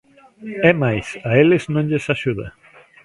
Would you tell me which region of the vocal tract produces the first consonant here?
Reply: lips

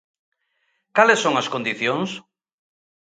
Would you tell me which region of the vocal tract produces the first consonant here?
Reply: velum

